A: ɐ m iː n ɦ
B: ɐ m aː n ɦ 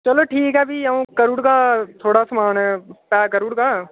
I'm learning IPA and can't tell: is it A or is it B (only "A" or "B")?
B